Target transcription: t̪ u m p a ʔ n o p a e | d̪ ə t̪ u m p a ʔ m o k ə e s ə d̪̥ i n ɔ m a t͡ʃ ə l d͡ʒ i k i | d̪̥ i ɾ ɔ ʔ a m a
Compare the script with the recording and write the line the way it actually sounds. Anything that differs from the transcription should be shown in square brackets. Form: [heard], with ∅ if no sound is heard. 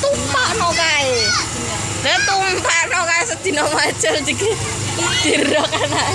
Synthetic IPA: t̪ u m p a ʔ n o [k] a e | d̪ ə t̪ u m p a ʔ [n] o k [a] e s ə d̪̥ i n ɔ m a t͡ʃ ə l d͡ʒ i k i | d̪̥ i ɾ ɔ [k] a [n] a

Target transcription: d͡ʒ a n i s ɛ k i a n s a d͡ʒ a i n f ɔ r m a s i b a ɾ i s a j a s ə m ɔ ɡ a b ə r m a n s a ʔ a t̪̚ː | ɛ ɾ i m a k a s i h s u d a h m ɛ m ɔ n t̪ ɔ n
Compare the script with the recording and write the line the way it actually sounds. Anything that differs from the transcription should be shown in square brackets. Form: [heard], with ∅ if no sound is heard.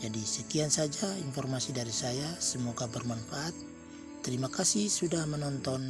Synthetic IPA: d͡ʒ a [d] i s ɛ k i a n s a d͡ʒ a i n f ɔ r m a s i [d] a ɾ i s a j a s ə m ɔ ɡ a b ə r m a n [f] a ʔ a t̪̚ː | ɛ ɾ i m a k a s i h s u d a h m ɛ [n] ɔ n t̪ ɔ n

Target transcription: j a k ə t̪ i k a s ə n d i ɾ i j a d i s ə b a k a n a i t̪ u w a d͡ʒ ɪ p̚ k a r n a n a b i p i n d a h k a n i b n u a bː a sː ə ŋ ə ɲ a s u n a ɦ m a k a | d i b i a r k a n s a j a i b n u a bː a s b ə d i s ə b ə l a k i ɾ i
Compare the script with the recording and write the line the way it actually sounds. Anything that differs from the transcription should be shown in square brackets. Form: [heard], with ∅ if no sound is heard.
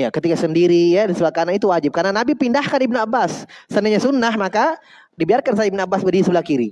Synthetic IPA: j a k ə t̪ i k a s ə n d i ɾ i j a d i s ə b a k a n a i t̪ u w a d͡ʒ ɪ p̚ k a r n a n a b i p i n d a h k a n i b n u a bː a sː ə [n] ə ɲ a s u n a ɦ m a k a | d i b i a r k a n s a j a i b n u a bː a s b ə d i s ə b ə l a k i ɾ i

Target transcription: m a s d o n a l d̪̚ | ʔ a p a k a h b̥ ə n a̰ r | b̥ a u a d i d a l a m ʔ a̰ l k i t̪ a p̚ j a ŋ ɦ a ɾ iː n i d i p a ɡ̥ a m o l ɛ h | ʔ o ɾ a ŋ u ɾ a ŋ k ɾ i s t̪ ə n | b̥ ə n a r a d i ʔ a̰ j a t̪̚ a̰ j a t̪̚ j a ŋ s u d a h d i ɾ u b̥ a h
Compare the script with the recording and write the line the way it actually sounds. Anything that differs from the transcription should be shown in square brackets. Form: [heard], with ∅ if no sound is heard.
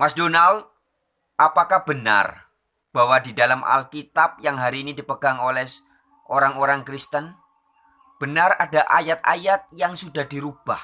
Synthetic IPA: m a s d o n a l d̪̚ | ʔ a p a k a h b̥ ə n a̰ r | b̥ a [w] a d i d a l a m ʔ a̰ l k i t̪ a p̚ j a ŋ ɦ a ɾ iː n i d i p [ə] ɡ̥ a [ŋ] o l ɛ h | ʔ o ɾ a ŋ [o] ɾ a ŋ k ɾ i s t̪ ə n | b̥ ə n a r a d [a] ʔ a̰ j a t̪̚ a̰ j a t̪̚ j a ŋ s u d a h d i ɾ u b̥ a h

